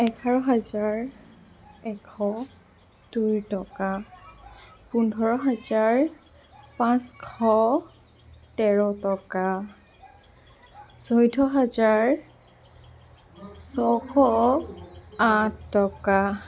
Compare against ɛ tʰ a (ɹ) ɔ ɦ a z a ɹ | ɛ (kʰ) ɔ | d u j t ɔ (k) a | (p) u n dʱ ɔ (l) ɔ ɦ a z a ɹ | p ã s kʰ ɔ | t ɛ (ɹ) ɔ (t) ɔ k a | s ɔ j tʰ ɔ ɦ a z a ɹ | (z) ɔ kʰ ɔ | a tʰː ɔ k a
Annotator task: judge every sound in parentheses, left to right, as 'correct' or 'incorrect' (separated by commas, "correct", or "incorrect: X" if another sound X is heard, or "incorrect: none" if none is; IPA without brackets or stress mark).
correct, correct, correct, correct, incorrect: ɹ, correct, correct, incorrect: s